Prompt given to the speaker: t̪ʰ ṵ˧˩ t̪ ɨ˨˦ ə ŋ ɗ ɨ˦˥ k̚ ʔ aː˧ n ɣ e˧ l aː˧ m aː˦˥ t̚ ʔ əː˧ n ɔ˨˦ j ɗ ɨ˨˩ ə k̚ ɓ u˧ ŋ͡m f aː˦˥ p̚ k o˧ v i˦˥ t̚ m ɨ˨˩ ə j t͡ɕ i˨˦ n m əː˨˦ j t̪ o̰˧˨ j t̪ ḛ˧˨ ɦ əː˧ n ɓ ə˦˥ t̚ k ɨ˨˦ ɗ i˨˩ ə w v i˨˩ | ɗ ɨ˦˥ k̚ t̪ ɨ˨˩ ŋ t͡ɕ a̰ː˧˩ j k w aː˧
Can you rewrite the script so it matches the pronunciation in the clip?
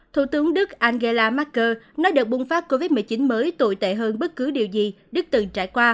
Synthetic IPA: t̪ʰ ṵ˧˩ t̪ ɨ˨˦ ə ŋ ɗ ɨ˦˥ k̚ ʔ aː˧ n ɣ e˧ l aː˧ m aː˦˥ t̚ k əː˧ n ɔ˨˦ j ɗ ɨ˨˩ ə k̚ ɓ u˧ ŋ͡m f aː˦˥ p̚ k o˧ v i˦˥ t̚ m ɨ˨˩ ə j t͡ɕ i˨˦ n m əː˨˦ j t̪ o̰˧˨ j t̪ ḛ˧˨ ɦ əː˧ n ɓ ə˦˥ t̚ k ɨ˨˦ ɗ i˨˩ ə w z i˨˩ | ɗ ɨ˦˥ k̚ t̪ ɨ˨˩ ŋ t͡ɕ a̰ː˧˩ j k w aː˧